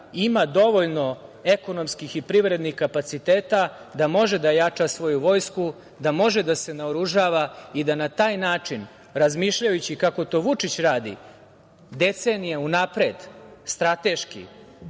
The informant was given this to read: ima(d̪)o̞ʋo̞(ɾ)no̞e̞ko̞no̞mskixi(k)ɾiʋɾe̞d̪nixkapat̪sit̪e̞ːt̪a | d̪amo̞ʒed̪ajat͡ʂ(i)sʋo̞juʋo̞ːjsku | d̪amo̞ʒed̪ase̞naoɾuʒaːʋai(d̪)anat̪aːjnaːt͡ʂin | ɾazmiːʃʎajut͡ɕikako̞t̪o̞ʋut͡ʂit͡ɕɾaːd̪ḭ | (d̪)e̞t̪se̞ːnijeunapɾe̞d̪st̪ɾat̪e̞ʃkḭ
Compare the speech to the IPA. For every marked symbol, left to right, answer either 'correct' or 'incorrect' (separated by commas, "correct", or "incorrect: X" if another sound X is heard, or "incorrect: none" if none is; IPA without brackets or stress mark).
correct, incorrect: ʎ, incorrect: p, incorrect: a, correct, correct